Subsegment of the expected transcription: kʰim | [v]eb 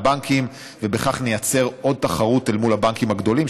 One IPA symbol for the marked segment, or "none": v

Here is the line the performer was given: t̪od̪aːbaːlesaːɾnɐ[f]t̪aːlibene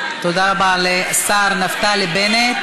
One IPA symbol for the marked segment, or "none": f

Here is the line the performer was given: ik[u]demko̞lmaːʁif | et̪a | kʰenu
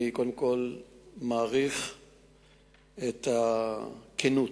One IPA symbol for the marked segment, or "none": o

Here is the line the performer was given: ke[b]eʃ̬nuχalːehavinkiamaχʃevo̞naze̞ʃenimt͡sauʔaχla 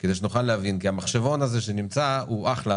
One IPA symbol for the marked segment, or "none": d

